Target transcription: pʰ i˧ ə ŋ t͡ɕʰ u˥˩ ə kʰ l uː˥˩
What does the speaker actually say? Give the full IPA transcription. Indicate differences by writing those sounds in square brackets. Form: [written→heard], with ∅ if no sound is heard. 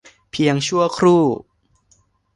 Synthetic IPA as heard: pʰ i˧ ə ŋ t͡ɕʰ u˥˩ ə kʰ [l→ɾ] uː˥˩